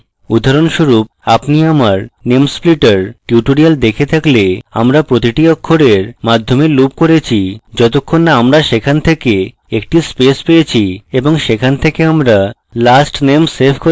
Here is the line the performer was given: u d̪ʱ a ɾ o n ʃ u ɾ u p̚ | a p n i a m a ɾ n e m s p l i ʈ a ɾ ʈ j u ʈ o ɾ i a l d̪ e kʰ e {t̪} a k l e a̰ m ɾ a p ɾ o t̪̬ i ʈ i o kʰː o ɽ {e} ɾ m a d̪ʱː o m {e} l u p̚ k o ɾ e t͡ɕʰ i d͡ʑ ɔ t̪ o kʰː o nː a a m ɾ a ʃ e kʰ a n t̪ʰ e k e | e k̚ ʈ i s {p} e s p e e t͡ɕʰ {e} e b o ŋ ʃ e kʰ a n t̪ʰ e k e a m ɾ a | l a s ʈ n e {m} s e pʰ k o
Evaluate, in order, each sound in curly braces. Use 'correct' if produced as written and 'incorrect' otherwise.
incorrect, correct, correct, correct, incorrect, correct

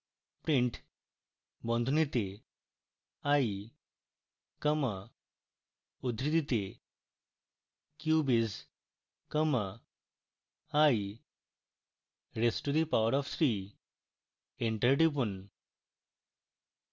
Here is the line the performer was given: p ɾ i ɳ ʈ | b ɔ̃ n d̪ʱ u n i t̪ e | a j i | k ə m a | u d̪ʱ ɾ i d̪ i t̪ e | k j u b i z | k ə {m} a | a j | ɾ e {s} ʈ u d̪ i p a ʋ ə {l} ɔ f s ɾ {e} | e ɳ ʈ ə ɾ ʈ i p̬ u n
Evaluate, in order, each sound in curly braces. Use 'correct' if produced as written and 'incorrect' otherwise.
correct, correct, incorrect, incorrect

